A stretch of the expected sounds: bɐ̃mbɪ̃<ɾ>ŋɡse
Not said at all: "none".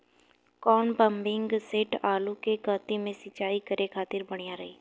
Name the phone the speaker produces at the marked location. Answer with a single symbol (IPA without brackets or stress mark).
none